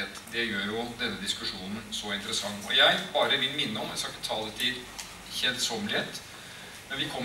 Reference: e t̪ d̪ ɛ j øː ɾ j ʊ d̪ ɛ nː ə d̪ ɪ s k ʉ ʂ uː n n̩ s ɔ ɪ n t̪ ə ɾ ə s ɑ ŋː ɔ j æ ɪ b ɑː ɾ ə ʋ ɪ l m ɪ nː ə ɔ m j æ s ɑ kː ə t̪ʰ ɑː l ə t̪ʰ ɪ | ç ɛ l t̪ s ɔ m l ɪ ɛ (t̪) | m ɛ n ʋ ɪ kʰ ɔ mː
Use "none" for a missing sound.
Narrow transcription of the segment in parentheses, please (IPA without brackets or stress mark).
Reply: t̪